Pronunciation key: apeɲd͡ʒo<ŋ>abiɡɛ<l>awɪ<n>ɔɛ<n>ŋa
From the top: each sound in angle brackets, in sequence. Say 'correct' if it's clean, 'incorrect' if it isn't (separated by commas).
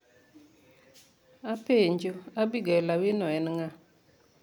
incorrect, correct, correct, correct